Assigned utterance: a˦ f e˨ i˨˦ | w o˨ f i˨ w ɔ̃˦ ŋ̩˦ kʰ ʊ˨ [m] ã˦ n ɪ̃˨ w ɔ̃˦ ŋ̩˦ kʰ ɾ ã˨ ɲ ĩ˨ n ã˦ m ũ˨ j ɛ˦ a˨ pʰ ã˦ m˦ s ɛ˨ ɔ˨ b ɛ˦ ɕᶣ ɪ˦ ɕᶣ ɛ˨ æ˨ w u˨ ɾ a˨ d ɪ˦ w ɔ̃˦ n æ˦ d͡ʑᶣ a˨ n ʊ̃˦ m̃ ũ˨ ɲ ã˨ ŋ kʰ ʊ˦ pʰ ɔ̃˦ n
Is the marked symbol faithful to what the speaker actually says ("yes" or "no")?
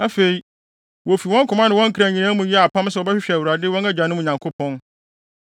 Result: yes